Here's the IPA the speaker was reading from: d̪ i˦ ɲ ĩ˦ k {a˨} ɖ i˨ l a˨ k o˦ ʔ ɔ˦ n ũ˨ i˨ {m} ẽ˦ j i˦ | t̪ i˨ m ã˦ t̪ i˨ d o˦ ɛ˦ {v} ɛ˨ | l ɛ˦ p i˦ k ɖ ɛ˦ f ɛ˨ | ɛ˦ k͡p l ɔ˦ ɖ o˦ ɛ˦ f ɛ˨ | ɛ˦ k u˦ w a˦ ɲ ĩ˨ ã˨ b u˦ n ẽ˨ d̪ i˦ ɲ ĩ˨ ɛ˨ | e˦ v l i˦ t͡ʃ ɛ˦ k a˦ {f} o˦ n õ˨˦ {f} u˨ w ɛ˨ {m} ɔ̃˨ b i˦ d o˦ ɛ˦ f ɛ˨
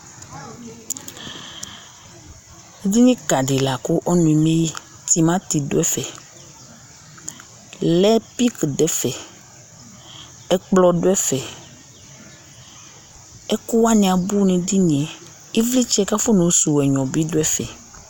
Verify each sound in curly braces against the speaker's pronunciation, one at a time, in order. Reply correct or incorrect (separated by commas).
correct, correct, incorrect, correct, incorrect, incorrect